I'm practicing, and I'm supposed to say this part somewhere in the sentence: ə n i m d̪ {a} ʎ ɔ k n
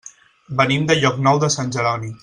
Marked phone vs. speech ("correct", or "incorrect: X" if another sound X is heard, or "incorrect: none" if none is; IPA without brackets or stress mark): incorrect: ə